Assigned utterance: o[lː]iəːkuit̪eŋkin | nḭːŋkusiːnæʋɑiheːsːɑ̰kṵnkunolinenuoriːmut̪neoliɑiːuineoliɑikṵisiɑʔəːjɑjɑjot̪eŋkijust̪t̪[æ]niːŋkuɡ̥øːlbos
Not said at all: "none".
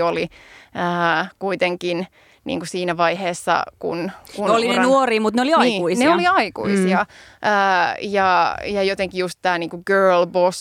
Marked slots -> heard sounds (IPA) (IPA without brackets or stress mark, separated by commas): l, æː